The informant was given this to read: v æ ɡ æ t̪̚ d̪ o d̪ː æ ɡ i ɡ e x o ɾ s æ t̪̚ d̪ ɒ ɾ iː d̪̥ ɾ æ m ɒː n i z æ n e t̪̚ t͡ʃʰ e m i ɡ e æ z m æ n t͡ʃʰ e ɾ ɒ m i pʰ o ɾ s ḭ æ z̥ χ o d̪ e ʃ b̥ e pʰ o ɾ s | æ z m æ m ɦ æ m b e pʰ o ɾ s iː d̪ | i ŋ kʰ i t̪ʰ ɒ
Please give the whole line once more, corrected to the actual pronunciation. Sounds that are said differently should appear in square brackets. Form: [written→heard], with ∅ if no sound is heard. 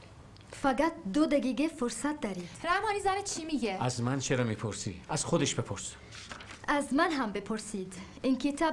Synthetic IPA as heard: [v→f] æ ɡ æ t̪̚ d̪ o [d̪ː→d̪] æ ɡ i ɡ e [x→f] o ɾ s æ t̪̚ d̪ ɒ ɾ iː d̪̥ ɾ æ m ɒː n i z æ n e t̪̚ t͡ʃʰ [e→i] m i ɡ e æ z m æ n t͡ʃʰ e ɾ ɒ m i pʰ o ɾ s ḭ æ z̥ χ o d̪ e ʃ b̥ e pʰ o ɾ s | æ z m æ [m→n] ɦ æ m b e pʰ o ɾ s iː d̪ | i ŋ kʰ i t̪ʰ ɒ